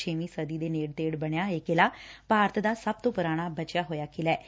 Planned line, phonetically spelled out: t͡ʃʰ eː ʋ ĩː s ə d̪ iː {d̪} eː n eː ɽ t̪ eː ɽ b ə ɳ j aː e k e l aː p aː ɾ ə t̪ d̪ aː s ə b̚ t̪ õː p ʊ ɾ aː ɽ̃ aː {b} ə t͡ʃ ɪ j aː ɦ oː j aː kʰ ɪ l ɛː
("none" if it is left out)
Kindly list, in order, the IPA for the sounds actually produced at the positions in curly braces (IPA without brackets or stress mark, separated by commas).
d̪, b